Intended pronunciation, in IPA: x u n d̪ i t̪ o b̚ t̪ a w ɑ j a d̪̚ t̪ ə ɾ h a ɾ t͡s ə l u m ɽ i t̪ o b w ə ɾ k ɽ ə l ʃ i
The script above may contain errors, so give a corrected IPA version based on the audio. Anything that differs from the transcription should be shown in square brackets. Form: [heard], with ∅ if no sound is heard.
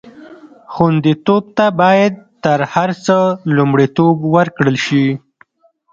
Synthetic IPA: x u n d̪ i t̪ o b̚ t̪ a [b] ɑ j a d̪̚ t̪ ə ɾ h a ɾ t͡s ə l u m ɽ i t̪ o b w ə ɾ k ɽ ə l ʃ i